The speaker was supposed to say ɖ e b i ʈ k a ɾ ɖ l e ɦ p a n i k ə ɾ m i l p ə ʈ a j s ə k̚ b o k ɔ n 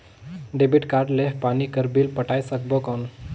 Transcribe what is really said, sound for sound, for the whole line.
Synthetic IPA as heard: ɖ e b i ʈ k a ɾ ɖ l e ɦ p a n i k ə ɾ b i l p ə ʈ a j s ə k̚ b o k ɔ n